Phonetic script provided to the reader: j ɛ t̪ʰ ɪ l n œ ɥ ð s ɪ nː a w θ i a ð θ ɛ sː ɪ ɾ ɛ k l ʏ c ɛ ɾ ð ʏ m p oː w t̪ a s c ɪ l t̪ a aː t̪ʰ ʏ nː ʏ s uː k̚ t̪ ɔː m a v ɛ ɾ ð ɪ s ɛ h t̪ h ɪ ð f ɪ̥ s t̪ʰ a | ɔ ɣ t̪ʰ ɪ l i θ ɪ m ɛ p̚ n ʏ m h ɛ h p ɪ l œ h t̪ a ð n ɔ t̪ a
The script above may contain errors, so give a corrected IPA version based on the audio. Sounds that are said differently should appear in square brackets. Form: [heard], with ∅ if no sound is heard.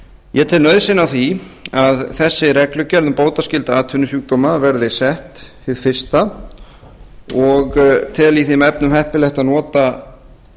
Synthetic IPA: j ɛ t̪ʰ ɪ l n œ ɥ ð s ɪ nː a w θ i a ð θ ɛ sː ɪ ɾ ɛ k l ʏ c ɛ ɾ ð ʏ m p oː w t̪ a s c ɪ l t̪ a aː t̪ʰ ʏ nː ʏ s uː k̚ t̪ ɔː m a v ɛ ɾ ð ɪ s ɛ h t̪ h ɪ ð f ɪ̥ s [t̪] a | ɔ ɣ t̪ʰ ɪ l i θ ɪ m ɛ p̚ n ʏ m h ɛ h p ɪ l [ɛ] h t̪ a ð n [ɔː] t̪ a